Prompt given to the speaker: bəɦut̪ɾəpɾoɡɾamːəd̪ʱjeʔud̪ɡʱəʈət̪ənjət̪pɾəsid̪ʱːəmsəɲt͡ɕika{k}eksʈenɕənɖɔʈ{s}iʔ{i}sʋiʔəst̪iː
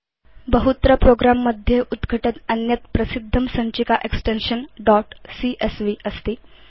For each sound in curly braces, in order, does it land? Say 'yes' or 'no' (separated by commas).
no, yes, no